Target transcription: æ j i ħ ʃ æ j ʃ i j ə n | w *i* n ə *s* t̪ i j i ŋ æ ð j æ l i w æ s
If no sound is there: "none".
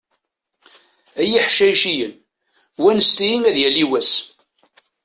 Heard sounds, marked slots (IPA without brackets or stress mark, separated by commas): æ, s